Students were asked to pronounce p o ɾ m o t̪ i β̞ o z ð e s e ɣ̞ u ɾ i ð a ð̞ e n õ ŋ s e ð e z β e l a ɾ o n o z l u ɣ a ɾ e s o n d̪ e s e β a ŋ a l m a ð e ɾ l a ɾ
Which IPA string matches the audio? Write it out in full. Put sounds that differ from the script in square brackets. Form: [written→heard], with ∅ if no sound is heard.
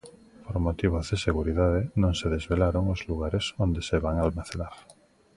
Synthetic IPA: p o ɾ m o t̪ i β̞ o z ð e s e ɣ̞ u ɾ i ð a ð̞ e n õ ŋ s e ð e z β e l a ɾ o [n→ŋ] o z l u ɣ a ɾ e s o n d̪ e s e β a ŋ a l m a [ð→θ] e [ɾ→∅] l a ɾ